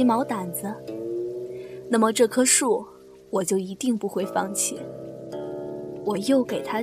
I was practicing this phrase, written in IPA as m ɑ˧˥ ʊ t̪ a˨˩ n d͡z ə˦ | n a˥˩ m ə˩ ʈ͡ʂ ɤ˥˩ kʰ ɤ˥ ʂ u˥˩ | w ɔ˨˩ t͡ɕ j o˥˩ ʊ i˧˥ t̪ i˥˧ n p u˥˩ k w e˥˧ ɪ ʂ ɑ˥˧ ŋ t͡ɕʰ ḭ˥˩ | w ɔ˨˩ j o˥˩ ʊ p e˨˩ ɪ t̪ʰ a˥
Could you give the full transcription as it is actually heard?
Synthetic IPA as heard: m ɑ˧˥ ʊ t̪ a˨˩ n d͡z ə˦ | n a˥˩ m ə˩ ʈ͡ʂ ɤ˥˩ kʰ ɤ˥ ʂ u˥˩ | w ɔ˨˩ t͡ɕ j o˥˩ ʊ i˧˥ t̪ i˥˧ ŋ p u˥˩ x w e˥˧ ɪ f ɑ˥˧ ŋ t͡ɕʰ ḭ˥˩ | w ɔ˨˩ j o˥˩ ʊ k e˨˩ ɪ t̪ʰ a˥